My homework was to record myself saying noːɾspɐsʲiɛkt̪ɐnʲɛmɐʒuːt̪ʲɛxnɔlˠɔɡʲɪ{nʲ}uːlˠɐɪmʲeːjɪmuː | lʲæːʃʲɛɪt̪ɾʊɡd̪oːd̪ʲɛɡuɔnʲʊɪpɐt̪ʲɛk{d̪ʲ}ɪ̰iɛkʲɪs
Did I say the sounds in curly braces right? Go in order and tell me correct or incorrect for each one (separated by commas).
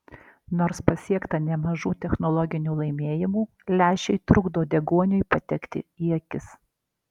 correct, incorrect